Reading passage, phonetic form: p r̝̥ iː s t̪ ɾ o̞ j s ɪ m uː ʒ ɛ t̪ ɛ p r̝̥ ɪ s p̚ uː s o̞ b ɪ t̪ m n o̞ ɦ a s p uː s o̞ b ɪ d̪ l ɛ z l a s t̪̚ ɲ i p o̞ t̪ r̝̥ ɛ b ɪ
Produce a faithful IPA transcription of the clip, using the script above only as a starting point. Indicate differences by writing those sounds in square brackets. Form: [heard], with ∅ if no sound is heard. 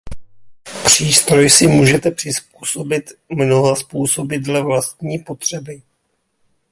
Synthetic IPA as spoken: p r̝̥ iː s t̪ ɾ o̞ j s ɪ m uː ʒ ɛ t̪ ɛ p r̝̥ ɪ s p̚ uː s o̞ b ɪ t̪ m n o̞ ɦ a s p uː s o̞ b ɪ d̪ l ɛ [v] l a s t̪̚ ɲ [iː] p o̞ t̪ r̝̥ ɛ b ɪ